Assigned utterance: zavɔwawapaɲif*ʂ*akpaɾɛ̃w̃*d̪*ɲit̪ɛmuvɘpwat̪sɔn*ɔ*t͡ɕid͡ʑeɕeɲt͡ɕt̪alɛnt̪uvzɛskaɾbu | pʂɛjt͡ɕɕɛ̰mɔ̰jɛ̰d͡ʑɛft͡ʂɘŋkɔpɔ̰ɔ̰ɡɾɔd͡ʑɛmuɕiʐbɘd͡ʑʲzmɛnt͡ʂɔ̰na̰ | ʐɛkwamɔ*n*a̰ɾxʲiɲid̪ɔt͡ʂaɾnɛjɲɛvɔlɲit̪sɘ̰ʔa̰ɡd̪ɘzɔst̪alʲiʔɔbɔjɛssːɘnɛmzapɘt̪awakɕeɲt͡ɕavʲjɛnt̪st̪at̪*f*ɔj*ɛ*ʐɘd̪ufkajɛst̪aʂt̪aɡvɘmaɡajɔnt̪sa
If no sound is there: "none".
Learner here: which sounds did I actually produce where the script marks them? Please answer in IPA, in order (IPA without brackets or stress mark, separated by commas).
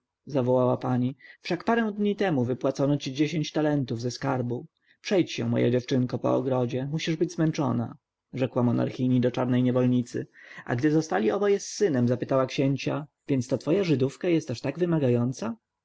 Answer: ʂ, d̪, ɔ, n, f, a